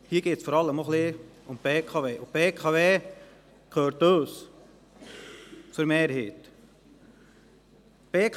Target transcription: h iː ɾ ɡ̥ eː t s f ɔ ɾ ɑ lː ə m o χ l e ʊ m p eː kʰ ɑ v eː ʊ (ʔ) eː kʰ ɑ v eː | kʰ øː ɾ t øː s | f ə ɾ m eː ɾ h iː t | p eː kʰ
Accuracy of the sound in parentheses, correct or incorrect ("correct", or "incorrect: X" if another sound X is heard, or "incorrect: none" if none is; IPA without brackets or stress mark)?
incorrect: p